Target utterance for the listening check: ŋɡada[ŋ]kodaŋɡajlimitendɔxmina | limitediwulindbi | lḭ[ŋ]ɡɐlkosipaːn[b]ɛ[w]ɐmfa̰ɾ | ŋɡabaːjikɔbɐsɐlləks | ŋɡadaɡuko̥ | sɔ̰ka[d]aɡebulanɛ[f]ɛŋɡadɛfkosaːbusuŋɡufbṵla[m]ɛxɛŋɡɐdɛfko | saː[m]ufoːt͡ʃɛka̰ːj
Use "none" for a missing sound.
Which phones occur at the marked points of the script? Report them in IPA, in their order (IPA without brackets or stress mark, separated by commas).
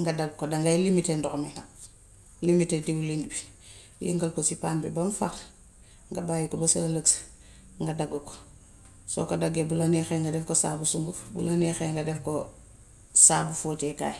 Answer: ɡ, ŋ, b, b, d, x, n, b